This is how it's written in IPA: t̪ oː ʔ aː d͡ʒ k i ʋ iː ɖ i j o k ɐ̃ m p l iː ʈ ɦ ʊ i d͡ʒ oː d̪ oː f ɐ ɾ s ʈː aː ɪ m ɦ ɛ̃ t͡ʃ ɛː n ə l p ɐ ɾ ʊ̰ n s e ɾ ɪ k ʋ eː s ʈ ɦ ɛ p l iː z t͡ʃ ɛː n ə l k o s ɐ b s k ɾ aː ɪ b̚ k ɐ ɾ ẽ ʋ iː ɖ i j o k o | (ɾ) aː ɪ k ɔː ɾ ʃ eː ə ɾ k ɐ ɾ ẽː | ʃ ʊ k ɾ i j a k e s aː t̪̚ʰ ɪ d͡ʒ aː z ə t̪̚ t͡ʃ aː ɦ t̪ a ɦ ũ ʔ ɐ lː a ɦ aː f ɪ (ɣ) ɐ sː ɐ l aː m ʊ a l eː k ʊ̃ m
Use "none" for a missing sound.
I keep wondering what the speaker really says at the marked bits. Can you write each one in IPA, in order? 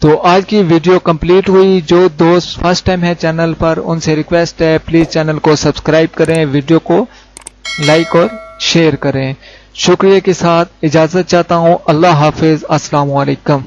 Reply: l, z

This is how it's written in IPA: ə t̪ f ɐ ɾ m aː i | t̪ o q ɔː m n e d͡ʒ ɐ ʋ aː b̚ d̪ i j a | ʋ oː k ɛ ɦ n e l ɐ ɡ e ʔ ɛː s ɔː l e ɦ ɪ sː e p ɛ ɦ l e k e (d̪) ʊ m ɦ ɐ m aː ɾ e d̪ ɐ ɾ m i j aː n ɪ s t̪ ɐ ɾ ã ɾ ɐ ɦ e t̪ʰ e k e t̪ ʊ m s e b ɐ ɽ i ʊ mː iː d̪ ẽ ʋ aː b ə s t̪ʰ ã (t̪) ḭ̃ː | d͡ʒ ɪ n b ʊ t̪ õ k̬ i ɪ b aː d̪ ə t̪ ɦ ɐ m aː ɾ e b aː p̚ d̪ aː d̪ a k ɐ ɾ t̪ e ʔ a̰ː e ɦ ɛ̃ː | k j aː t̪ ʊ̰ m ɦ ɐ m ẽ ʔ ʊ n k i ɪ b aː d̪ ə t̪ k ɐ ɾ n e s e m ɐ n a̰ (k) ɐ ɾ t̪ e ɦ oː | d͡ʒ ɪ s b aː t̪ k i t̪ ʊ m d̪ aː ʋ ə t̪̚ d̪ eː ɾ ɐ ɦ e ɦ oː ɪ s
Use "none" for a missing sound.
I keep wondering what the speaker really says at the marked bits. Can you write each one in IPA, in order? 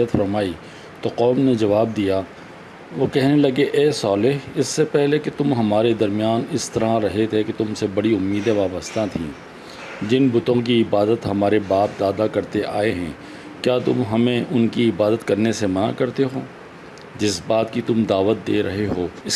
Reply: t̪, t̪ʰ, k

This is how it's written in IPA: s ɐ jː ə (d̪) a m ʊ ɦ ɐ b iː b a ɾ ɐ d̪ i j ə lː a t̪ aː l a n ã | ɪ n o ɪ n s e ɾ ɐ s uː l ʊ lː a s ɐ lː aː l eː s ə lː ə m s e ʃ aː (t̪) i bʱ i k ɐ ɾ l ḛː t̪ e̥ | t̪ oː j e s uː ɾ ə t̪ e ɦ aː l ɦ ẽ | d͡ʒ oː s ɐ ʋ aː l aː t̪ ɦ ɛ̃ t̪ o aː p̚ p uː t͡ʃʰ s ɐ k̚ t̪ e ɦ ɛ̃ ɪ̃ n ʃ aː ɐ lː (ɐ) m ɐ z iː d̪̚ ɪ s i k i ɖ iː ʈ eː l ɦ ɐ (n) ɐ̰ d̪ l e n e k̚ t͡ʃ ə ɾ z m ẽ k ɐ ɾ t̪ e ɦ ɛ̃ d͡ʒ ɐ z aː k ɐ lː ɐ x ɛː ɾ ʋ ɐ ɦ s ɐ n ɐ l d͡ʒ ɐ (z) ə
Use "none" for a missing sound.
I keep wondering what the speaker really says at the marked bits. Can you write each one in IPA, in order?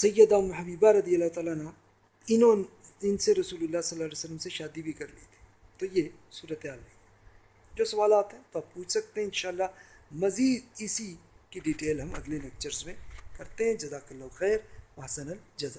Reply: d̪, d̪, a, m, z

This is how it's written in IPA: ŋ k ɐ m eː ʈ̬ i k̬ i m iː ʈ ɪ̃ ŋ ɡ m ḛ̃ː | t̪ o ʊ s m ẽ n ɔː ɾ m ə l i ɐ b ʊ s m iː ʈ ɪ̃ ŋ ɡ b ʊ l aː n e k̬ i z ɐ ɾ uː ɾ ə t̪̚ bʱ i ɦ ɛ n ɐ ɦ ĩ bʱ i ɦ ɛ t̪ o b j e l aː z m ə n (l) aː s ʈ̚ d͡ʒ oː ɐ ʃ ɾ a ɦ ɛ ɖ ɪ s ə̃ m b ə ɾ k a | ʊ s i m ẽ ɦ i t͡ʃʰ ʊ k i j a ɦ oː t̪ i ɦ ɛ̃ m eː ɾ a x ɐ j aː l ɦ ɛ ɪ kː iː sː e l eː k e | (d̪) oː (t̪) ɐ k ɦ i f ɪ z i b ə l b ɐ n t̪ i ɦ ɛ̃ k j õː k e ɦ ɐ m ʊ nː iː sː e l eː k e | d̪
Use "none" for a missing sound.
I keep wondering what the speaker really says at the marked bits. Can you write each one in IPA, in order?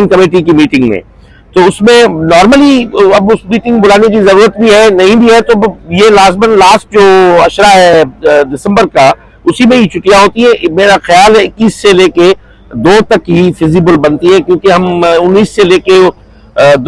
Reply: l, d̪, t̪

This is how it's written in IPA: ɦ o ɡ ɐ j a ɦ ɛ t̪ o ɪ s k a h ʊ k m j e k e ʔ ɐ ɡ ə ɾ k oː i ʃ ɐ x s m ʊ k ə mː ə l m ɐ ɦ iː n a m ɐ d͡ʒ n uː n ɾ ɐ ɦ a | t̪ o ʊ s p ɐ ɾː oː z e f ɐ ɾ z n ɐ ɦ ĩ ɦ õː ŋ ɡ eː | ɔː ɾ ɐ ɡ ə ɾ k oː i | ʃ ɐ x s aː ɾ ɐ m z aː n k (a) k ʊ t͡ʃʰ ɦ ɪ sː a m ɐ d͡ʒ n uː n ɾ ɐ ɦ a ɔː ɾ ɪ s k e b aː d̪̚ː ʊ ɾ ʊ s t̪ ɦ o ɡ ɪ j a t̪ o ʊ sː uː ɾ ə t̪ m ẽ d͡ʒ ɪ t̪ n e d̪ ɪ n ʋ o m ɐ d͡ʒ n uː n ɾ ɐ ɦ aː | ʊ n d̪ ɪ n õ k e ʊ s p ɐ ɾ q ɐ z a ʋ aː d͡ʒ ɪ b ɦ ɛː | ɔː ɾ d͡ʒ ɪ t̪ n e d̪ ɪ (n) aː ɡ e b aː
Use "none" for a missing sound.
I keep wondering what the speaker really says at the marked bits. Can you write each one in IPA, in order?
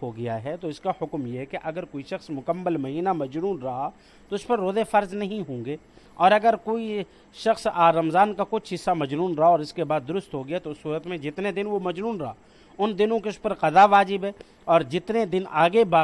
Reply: a, n

